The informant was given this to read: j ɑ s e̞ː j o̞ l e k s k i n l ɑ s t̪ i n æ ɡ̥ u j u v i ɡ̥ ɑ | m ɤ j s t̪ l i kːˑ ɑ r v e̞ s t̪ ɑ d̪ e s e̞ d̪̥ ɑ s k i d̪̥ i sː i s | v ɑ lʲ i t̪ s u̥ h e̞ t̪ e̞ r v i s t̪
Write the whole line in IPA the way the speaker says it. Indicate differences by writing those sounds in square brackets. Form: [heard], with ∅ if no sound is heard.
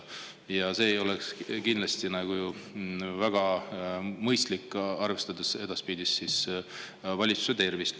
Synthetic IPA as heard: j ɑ s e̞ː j o̞ l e k s k i n l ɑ s t̪ i n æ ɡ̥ u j u v [æ] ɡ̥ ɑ | m ɤ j s t̪ l i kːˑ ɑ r v e̞ s t̪ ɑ d̪ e s e̞ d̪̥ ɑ s [p] i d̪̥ i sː i s | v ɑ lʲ i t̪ s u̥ [s] e̞ t̪ e̞ r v i s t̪

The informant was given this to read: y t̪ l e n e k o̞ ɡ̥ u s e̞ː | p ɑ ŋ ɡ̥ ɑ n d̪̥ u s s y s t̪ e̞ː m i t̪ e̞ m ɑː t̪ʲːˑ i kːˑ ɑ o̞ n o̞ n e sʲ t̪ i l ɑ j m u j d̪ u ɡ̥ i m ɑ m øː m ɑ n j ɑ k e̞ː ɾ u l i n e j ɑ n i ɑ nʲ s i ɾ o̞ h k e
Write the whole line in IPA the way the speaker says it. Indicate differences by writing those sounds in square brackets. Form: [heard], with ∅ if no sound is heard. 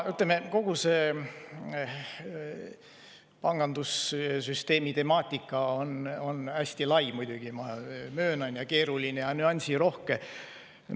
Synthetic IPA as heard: y t̪ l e [m] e k o̞ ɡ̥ u s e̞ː | p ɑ ŋ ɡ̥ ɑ n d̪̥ u s s y s t̪ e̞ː m i t̪ e̞ m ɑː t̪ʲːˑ i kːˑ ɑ o̞ n o̞ n [æ] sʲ t̪ i l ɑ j m u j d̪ u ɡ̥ i m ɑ m øː [n] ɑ n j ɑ k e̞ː ɾ u l i n e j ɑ n [y] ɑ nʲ s i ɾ o̞ h k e

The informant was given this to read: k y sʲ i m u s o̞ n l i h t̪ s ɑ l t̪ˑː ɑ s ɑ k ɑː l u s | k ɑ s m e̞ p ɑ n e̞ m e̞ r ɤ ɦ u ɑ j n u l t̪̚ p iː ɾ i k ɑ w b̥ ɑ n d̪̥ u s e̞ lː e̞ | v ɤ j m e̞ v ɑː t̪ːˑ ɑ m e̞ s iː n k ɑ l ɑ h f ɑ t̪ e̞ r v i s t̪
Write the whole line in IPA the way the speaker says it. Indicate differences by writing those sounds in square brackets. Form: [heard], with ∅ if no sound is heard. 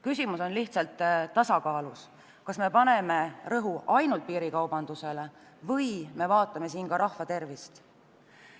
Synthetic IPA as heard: k y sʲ i m u s o̞ n l i h t̪ s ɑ l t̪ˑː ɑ s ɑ k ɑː l u s | k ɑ s m e̞ p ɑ n e̞ m e̞ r ɤ ɦ u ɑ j n u l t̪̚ p iː ɾ i k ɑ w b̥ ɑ n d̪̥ u s e̞ [l] e̞ | v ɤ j m e̞ v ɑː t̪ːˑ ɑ m e̞ s iː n k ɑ [ɾ] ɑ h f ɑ t̪ e̞ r v i s t̪

